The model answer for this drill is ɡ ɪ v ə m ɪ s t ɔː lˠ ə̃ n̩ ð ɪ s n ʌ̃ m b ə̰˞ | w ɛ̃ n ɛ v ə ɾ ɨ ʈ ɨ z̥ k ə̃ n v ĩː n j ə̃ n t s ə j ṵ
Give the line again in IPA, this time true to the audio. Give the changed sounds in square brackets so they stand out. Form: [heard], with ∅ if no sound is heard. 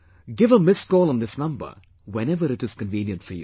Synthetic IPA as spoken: ɡ ɪ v ə m ɪ s [k] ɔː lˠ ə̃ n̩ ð ɪ s n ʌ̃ m b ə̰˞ | w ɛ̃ n ɛ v ə ɾ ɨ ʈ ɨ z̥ k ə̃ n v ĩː n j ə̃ n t [f] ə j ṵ